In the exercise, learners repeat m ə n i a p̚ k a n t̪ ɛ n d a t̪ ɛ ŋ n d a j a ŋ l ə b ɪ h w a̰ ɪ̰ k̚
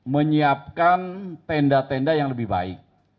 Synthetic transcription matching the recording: m ə ɲ i a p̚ k a n t̪ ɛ n d a t̪ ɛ n d a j a ŋ l ə b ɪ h b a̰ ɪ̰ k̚